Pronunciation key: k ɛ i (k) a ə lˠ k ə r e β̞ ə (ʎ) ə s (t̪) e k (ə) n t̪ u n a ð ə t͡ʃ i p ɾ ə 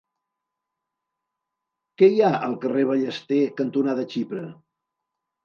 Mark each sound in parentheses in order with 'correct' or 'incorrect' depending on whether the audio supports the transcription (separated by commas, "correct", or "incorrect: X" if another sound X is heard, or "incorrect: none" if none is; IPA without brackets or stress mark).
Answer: incorrect: none, correct, correct, correct